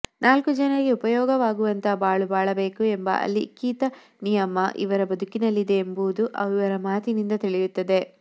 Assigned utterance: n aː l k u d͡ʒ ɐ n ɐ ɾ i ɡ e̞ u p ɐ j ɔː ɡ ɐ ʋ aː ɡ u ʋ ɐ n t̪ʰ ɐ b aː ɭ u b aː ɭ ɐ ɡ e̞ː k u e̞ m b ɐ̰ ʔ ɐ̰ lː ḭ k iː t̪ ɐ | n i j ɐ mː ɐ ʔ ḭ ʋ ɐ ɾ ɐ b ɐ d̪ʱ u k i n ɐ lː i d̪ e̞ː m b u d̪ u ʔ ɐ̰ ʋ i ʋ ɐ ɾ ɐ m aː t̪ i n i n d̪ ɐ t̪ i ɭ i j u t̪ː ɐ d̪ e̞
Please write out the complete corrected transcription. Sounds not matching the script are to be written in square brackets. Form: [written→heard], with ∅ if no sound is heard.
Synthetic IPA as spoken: n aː l k u d͡ʒ ɐ n ɐ ɾ i ɡ e̞ u p ɐ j ɔː ɡ ɐ ʋ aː ɡ u ʋ ɐ n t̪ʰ ɐ b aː ɭ u b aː ɭ ɐ [ɡ→b] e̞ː k u e̞ m b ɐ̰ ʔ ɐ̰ lː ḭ k iː t̪ ɐ | n i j ɐ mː ɐ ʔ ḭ ʋ ɐ ɾ ɐ b ɐ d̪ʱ u k i n ɐ lː i d̪ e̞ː m b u d̪ u ʔ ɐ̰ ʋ i ʋ ɐ ɾ ɐ m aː t̪ i n i n d̪ ɐ t̪ i ɭ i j u t̪ː ɐ d̪ e̞